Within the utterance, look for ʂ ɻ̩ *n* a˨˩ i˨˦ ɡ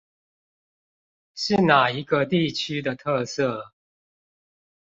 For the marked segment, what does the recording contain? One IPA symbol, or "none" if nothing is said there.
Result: n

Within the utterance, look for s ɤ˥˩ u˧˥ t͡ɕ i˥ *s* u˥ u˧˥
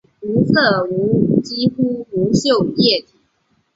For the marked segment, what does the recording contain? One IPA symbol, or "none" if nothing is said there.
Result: x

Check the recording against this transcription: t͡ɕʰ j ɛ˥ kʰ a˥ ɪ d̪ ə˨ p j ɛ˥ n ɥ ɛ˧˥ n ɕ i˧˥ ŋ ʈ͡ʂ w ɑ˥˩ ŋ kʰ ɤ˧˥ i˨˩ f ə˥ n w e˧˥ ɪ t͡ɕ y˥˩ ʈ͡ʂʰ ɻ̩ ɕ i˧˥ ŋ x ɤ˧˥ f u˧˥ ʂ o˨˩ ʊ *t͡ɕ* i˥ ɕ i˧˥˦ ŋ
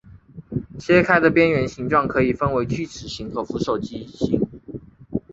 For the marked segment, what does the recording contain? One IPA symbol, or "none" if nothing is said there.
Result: t͡ɕ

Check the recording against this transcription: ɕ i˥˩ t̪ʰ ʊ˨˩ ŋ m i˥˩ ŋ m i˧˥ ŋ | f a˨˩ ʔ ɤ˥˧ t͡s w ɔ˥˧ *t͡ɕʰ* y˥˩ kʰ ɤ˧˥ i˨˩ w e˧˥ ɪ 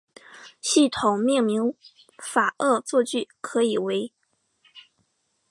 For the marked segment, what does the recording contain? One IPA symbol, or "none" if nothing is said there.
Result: t͡ɕ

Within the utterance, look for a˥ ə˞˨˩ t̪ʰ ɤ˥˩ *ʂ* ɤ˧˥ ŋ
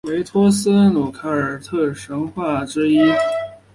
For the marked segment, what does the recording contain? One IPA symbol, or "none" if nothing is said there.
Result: ʂ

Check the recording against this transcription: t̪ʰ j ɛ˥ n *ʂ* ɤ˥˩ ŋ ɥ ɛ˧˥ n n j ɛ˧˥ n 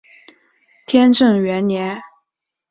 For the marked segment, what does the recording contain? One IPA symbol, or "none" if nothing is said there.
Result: ʈ͡ʂ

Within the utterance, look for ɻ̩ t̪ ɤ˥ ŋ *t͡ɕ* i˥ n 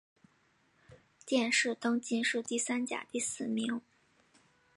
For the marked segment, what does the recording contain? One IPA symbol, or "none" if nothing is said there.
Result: t͡ɕ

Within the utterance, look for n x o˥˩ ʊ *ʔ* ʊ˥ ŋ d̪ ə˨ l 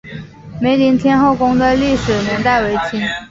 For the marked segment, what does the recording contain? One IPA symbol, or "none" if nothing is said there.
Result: k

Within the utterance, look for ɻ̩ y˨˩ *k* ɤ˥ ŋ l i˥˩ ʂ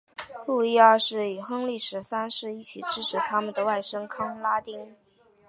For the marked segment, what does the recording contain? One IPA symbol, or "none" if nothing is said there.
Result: x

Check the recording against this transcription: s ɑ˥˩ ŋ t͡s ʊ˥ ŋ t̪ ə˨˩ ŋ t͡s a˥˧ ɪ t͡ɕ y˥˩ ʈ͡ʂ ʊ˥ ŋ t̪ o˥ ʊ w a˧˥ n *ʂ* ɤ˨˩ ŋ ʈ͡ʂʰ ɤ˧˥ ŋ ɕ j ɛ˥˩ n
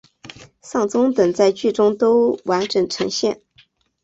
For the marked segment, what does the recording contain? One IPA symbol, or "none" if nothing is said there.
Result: ʈ͡ʂ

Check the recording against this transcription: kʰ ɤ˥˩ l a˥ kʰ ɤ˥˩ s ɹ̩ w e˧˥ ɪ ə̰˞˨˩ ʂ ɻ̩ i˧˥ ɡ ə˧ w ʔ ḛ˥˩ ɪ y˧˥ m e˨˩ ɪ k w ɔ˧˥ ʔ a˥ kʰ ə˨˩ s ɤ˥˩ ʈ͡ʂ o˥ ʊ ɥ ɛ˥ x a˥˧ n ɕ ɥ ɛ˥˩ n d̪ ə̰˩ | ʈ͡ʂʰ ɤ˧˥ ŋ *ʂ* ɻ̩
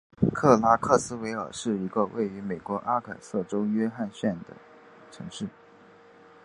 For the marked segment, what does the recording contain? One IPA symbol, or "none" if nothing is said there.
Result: ʂ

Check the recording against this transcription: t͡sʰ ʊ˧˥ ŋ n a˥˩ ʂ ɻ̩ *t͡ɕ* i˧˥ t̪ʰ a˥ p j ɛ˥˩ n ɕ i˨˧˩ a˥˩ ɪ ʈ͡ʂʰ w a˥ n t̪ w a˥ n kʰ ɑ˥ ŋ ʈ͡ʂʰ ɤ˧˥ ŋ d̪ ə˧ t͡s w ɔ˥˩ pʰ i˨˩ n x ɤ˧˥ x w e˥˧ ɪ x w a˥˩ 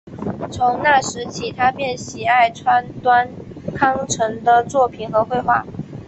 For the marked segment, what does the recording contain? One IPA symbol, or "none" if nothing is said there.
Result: t͡ɕʰ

